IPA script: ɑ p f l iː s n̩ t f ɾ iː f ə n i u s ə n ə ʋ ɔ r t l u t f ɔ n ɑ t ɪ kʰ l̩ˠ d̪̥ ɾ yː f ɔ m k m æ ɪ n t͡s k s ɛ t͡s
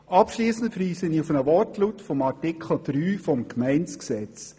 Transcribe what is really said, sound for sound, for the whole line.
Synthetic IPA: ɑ p ʃ l iː s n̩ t f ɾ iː s ə n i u f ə n ə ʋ ɔ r t l u t f ɔ m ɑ t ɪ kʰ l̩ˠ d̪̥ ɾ yː f ɔ m k m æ ɪ n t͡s k s ɛ t͡s

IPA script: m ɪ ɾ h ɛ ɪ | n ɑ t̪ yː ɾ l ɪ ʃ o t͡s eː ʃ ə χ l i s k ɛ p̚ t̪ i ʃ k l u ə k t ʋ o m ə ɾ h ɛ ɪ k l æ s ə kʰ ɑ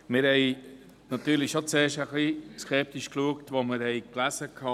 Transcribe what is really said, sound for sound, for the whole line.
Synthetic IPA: m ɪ ɾ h ɛ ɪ | n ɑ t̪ yː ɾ l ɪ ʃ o t͡s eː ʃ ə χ l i s k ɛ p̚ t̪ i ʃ k l u ə k t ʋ o m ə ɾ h ɛ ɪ k l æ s ə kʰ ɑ

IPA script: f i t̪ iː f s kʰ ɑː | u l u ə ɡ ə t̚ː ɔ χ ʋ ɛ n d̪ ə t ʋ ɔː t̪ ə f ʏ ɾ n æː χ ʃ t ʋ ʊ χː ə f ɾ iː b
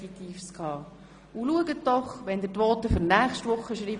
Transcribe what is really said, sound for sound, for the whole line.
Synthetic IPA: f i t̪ iː f s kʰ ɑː | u l u ə ɡ ə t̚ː ɔ χ ʋ ɛ n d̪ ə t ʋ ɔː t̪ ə f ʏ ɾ n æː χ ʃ t ʋ ʊ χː ə ʃ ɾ iː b

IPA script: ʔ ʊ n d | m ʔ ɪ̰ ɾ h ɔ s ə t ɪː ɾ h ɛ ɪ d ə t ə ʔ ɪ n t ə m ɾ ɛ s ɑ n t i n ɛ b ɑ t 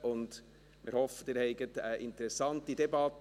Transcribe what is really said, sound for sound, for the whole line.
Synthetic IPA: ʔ ʊ n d | m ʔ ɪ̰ ɾ h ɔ f ə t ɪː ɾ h ɛ ɪ ɡ ə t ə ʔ ɪ n t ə ɾ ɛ s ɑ n t i d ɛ b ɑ t

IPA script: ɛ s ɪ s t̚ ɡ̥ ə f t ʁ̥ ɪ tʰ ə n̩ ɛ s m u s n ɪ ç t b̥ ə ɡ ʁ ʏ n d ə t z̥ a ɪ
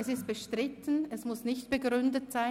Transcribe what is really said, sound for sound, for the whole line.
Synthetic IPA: ɛ s ɪ s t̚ b̥ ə ʃ t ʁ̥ ɪ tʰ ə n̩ ɛ s m ʊ s n ɪ ç t b̥ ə ɡ ʁ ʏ n d ə t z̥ a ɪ

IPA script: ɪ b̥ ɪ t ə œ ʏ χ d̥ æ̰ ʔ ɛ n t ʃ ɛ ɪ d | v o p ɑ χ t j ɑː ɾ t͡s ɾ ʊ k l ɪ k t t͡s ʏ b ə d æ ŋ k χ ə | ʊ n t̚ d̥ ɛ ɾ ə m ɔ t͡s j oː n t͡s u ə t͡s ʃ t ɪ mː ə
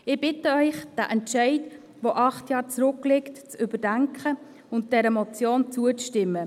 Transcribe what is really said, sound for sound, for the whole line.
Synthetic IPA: ɪ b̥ ɪ t ə œ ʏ χ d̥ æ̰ ʔ ɛ n t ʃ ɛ ɪ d | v o ʔ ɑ χ t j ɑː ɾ t͡s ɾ ʊ k l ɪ k t t͡s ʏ b ə d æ ŋ k χ ə | ʊ n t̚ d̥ ɛ ɾ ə m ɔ t͡s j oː n t͡s u ə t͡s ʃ t ɪ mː ə

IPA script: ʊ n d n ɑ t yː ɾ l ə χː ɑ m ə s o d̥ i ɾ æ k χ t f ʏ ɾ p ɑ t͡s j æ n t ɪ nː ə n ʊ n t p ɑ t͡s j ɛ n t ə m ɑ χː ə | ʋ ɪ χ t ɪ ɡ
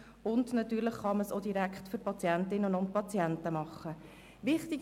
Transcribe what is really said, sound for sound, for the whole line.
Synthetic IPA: ʊ n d n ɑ t yː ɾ l ə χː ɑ m ə s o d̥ i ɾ æ k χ t f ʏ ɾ p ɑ t͡s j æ n t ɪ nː ə n ʊ n t p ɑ t͡s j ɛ n t ə m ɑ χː ə | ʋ ɪ χ t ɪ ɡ

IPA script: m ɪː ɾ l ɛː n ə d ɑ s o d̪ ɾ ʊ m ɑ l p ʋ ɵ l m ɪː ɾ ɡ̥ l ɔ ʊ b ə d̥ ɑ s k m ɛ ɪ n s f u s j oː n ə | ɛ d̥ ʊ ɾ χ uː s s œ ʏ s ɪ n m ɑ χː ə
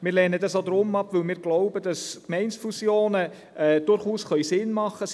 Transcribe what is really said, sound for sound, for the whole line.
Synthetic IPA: m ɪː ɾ l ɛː n ə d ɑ s o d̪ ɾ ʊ m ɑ p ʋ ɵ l m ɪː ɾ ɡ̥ l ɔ ʊ b ə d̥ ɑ s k m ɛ ɪ n s f u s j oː n ə | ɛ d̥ ʊ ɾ χ uː s χ œ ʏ s ɪ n m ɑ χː ə

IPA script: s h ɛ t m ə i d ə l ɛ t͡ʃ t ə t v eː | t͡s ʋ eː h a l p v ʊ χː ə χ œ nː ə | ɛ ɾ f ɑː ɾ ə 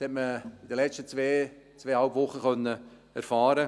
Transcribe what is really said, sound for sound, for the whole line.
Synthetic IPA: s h ɛ t m ə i d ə l ɛ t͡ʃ t ə t͡s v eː | t͡s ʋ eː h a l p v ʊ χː ə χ œ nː ə | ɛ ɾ f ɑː ɾ ə

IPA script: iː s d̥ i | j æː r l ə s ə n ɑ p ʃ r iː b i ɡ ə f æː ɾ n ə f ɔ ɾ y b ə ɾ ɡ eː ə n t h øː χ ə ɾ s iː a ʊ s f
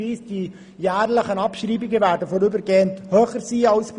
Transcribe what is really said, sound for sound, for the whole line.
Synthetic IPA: iː s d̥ i | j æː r l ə χ ə n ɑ p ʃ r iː b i ɡ ə v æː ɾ d ə f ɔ ɾ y b ə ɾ ɡ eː ə n t h øː χ ə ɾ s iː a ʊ s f

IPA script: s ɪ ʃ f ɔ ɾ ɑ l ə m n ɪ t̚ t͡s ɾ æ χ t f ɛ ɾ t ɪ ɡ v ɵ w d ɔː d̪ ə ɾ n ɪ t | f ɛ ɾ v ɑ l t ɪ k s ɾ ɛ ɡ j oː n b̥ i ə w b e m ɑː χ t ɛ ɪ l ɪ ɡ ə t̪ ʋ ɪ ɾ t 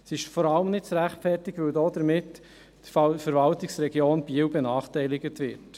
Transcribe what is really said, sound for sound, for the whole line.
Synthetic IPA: s ɪ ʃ f ɔ ɾ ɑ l ə m n ɪ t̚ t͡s ɾ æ χ t f ɛ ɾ t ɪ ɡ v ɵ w d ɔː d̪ ə ɾ m ɪ t | f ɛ ɾ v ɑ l t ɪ k s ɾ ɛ ɡ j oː n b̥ i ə w b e n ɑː χ t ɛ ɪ l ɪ ɡ ə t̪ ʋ ɪ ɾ t

